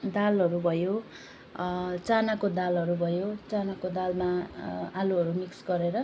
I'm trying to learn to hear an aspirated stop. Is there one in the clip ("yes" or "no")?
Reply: no